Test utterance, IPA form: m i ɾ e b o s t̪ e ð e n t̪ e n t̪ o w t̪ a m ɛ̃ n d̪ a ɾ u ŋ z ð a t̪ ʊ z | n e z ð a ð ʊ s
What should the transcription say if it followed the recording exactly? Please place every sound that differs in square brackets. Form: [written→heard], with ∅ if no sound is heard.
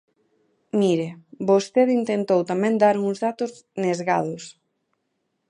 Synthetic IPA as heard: m i ɾ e b o s t̪ e ð [e→i] n t̪ e n t̪ o w t̪ a m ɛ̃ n d̪ a ɾ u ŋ z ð a t̪ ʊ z | n e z [ð→ɣ] a ð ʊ s